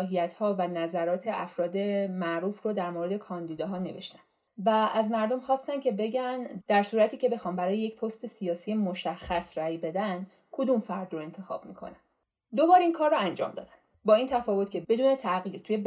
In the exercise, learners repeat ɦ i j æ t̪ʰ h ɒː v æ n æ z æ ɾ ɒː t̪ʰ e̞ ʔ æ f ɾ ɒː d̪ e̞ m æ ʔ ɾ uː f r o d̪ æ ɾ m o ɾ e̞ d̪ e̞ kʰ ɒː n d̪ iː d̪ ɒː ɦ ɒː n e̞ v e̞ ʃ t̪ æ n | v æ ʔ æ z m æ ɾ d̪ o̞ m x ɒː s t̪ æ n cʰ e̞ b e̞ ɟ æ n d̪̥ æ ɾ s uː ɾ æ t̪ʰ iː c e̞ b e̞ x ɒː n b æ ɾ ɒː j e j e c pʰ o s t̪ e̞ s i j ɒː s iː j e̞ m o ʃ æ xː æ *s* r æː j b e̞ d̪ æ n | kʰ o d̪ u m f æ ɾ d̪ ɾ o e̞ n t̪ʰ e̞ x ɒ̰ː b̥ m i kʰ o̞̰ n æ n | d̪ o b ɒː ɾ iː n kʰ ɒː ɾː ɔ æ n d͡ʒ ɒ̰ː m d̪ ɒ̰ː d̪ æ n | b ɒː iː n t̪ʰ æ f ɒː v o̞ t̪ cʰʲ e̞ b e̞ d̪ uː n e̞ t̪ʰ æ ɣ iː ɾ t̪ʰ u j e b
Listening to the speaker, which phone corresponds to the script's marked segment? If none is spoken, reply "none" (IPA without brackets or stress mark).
s